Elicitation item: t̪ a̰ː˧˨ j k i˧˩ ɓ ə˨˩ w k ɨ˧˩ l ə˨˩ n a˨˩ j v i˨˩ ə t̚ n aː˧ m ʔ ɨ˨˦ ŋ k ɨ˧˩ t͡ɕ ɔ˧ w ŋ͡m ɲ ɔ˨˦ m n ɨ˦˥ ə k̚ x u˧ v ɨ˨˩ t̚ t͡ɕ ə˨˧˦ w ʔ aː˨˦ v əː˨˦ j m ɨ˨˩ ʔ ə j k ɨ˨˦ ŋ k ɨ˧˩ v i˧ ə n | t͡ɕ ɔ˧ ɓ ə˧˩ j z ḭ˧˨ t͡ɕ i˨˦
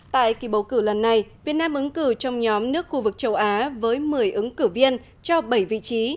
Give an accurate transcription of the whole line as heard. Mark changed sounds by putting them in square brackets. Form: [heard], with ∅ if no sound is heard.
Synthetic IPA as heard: t̪ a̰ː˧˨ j k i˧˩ ɓ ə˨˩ w k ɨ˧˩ l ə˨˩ [nː] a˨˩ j v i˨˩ ə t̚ n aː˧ m ʔ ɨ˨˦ ŋ k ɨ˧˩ t͡ɕ ɔ˧ w ŋ͡m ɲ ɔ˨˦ m n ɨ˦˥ ə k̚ x u˧ v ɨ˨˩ [k̚] t͡ɕ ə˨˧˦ w ʔ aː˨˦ v əː˨˦ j m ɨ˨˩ [∅] ə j [ʔ] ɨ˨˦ ŋ k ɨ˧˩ v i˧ ə n | t͡ɕ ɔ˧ ɓ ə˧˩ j [v] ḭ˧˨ t͡ɕ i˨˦